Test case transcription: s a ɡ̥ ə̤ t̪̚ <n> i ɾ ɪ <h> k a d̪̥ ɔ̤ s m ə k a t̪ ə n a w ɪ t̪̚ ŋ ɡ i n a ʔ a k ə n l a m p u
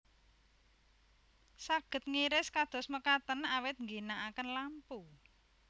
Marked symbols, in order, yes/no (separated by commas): no, no